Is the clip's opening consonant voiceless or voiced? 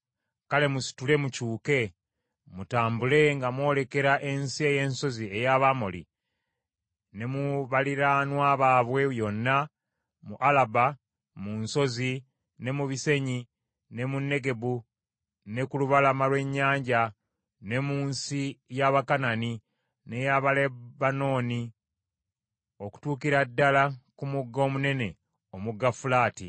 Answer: voiceless